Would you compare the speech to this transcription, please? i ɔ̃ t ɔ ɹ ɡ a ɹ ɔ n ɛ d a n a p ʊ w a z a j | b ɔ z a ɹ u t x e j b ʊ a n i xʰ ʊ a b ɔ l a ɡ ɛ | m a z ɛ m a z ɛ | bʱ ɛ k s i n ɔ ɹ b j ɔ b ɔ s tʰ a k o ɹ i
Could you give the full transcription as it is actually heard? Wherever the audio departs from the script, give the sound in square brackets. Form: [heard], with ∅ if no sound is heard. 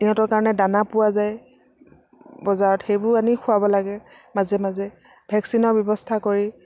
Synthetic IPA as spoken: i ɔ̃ t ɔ ɹ [k] a ɹ ɔ n ɛ d a n a p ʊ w a z a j | b ɔ z a ɹ [ɔ] t x e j b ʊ a n i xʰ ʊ a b ɔ l a ɡ ɛ | m a z ɛ m a z ɛ | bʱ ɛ k s i n ɔ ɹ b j ɔ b ɔ s tʰ a k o ɹ i